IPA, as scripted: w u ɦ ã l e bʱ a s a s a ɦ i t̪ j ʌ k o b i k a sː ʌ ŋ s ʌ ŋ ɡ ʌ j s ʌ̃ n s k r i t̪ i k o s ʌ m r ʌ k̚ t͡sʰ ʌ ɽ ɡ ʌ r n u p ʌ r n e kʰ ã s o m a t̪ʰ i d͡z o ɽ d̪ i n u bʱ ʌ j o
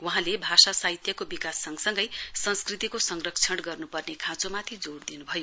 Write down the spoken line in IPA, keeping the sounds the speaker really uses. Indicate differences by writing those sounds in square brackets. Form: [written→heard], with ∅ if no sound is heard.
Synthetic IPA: w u ɦ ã l e bʱ a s a s a ɦ i t̪ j ʌ k o b i k a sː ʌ ŋ s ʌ ŋ ɡ ʌ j s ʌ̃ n s k r i t̪ i k o s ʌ [m→ŋ] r ʌ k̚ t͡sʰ ʌ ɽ ɡ ʌ r n u p ʌ r n e kʰ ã [s→t͡s] o m a t̪ʰ i d͡z o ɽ d̪ i n u bʱ ʌ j o